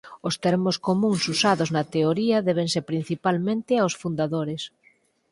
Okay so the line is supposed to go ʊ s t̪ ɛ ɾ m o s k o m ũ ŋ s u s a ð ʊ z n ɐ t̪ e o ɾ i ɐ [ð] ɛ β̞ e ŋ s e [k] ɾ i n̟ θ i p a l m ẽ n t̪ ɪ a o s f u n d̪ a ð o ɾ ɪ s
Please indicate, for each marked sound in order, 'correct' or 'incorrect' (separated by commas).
correct, incorrect